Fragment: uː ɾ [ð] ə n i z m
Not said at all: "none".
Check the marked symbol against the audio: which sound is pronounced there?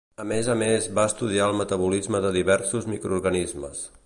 ɣ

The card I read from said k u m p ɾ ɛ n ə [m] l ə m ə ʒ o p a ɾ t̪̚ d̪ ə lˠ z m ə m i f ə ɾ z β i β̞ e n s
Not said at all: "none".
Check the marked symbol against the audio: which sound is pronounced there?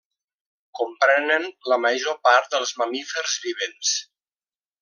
n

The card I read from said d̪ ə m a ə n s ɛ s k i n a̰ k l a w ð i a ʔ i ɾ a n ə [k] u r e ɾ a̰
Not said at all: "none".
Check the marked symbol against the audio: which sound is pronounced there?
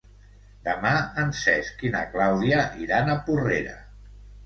p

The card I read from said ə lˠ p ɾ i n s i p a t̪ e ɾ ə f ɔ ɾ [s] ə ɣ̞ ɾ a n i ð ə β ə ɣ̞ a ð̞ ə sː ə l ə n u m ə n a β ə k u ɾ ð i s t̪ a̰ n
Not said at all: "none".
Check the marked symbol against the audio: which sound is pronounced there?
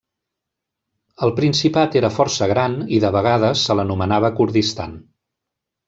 s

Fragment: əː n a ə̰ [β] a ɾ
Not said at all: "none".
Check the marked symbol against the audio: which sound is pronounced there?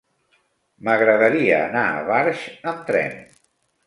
β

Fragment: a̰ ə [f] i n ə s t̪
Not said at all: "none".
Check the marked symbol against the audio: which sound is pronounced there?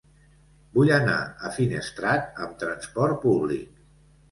f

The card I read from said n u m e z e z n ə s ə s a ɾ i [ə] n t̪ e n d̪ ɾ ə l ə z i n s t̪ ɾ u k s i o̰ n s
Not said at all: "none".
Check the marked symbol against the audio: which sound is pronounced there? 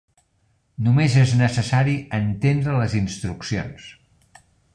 ə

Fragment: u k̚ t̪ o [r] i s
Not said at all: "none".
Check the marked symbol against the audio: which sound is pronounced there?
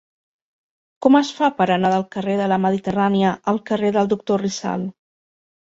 r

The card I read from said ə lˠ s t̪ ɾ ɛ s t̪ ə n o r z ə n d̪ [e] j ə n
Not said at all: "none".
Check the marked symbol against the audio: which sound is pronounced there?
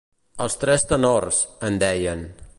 ɛ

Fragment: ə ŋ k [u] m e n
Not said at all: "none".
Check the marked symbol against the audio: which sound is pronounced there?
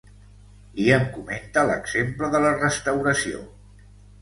u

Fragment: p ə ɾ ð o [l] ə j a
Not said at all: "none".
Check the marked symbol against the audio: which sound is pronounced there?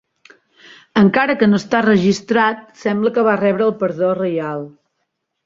r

